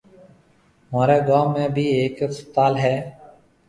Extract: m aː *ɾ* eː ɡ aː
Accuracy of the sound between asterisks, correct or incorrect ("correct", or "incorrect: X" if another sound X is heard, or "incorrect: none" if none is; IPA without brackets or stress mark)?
correct